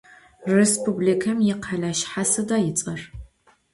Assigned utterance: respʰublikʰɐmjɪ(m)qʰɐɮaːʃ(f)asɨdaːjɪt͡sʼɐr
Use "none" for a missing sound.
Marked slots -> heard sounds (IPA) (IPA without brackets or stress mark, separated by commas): none, ħ